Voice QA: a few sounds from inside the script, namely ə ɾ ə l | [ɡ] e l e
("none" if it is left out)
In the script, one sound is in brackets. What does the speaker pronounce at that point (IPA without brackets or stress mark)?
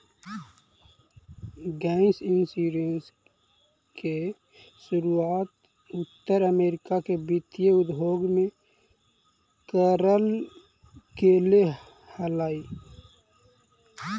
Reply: k